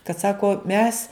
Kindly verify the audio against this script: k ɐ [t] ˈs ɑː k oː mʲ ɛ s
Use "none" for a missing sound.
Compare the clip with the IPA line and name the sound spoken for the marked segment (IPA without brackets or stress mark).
t